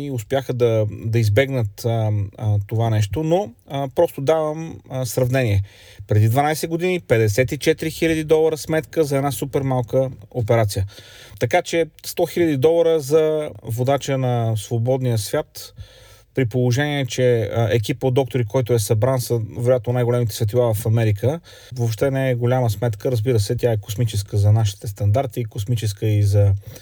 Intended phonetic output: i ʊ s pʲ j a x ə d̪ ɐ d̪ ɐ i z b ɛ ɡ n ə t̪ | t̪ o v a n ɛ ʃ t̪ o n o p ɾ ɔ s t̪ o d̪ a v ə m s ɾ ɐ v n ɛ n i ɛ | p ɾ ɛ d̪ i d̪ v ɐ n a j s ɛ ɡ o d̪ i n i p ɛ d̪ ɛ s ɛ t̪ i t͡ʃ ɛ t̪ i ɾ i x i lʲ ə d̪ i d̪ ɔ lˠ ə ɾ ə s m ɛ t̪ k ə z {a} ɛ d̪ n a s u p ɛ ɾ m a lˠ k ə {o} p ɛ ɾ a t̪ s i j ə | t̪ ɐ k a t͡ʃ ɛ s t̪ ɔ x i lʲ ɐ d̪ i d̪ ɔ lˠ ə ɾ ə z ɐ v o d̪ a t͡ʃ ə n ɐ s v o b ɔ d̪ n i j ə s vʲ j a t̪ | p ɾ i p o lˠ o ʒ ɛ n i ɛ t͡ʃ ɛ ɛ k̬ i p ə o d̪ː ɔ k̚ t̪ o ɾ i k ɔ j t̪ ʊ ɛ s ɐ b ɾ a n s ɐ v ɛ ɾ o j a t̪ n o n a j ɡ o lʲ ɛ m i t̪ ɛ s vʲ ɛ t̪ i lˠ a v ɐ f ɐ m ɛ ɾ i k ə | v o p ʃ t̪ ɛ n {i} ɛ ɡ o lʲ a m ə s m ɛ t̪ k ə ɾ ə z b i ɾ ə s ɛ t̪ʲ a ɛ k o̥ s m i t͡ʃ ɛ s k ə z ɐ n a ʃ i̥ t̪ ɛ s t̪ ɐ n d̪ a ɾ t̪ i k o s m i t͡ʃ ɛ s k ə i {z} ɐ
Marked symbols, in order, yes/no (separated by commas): no, yes, no, yes